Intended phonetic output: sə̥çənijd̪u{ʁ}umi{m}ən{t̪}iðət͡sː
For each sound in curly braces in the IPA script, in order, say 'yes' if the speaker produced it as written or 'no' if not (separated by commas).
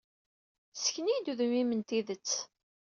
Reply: no, yes, yes